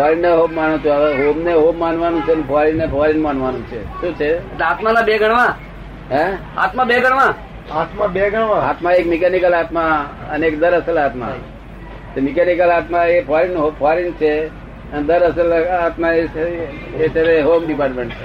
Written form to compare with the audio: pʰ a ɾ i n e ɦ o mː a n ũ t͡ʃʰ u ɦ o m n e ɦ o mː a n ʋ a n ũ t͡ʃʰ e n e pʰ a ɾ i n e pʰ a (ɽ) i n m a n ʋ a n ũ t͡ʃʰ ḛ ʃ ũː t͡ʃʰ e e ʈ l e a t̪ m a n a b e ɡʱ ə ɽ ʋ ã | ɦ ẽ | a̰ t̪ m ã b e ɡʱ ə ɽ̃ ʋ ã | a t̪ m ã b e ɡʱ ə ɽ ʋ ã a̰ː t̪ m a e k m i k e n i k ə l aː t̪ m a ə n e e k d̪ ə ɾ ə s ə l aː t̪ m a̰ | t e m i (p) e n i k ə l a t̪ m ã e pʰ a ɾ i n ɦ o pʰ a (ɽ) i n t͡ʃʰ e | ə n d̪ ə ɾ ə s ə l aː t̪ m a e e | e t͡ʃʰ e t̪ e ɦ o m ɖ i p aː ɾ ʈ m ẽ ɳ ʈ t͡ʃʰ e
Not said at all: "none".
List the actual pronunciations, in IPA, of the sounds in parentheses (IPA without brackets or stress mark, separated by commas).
ɾ, k, ɾ